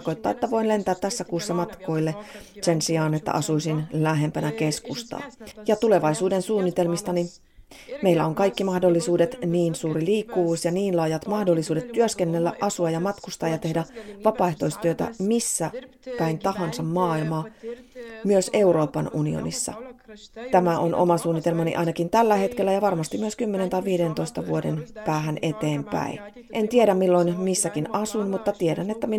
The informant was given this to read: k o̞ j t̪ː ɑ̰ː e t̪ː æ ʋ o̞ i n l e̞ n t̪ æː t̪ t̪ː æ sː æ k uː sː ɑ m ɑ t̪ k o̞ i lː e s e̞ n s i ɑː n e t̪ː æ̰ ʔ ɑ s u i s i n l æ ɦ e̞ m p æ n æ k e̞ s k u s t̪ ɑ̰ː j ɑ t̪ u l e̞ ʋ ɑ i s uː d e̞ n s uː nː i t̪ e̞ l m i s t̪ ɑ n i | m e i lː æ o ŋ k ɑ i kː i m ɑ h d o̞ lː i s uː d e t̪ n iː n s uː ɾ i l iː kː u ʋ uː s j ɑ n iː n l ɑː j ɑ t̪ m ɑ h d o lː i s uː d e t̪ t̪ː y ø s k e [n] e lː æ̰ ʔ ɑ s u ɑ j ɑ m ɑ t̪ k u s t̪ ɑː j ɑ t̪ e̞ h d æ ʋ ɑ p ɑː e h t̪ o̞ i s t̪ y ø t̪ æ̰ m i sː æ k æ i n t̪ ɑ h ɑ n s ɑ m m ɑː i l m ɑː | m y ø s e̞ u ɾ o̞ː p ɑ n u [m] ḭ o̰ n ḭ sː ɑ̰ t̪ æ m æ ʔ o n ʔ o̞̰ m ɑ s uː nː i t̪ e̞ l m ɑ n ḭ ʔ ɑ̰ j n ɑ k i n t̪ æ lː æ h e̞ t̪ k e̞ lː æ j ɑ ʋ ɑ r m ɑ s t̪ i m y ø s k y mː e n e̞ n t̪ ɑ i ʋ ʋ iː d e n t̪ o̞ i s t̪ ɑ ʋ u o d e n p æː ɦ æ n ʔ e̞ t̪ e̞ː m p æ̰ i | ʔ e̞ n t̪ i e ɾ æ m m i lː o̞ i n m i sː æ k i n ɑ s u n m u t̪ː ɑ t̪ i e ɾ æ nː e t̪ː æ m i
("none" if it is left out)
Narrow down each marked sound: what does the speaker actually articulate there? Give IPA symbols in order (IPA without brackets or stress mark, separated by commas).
nː, n